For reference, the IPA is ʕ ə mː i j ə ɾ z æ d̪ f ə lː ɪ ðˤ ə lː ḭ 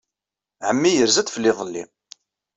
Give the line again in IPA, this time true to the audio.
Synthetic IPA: ʕ ə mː i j ə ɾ z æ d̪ f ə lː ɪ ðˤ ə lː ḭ